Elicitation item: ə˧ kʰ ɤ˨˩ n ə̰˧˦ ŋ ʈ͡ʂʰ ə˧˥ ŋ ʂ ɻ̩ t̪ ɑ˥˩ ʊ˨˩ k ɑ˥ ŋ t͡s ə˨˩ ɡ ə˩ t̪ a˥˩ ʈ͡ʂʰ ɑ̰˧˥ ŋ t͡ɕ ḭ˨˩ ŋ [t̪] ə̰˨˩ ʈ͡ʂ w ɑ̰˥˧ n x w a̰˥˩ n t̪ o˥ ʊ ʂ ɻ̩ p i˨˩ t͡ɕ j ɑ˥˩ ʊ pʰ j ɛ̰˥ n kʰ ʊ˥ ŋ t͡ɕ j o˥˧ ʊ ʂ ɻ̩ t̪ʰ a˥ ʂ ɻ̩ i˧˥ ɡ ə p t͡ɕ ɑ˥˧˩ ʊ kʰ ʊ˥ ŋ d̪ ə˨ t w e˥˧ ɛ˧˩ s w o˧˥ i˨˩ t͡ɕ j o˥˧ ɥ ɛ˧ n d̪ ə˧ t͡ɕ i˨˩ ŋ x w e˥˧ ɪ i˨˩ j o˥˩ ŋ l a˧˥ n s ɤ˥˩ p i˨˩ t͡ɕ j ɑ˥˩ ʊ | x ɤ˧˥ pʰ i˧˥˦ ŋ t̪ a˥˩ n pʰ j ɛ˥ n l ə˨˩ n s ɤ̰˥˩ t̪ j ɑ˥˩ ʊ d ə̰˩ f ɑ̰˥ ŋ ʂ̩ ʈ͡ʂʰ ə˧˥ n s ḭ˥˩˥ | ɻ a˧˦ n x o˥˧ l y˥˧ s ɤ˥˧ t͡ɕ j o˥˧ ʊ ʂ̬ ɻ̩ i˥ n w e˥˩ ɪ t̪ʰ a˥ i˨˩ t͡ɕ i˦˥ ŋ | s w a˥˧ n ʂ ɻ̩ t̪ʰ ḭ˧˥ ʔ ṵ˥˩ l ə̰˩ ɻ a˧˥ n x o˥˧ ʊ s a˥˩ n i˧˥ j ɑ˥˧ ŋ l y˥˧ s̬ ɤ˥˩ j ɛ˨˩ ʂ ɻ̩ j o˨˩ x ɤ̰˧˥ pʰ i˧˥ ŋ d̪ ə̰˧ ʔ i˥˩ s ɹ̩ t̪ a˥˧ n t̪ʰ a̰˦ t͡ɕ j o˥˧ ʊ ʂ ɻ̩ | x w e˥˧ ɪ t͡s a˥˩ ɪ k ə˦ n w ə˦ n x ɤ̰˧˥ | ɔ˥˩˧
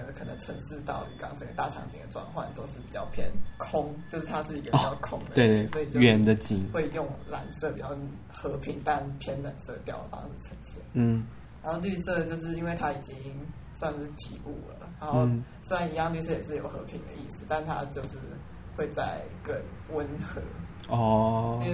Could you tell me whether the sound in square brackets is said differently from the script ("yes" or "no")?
yes